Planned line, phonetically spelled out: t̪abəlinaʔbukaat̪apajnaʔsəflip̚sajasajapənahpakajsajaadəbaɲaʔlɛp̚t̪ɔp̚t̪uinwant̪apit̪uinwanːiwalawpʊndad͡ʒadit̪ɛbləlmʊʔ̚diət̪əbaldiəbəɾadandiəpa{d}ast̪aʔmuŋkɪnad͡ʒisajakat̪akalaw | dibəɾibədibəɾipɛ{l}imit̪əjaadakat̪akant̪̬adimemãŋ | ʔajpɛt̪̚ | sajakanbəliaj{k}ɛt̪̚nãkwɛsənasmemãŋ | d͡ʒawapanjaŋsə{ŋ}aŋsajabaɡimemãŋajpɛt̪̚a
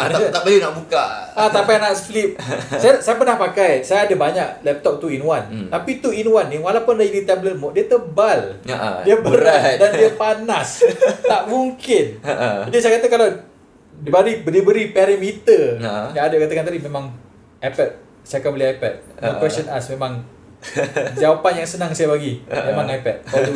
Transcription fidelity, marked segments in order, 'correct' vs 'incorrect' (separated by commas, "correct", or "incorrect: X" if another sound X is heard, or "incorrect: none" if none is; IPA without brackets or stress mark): incorrect: n, incorrect: ɾ, incorrect: p, incorrect: n